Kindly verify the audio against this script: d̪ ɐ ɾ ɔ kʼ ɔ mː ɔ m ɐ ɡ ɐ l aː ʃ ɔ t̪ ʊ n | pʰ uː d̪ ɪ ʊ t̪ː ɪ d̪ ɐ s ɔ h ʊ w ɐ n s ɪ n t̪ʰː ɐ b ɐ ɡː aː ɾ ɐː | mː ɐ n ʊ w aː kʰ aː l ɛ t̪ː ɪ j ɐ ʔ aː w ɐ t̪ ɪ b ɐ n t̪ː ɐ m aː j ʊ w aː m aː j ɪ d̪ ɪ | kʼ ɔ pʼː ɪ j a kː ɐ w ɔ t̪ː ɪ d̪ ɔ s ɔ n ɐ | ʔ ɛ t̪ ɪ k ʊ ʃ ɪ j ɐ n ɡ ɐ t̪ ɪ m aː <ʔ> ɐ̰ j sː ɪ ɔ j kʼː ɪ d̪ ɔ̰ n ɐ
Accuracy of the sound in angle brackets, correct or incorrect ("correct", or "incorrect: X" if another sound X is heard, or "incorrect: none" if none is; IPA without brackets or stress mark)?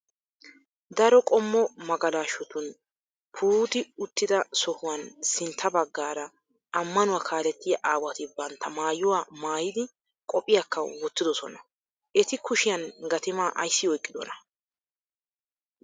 correct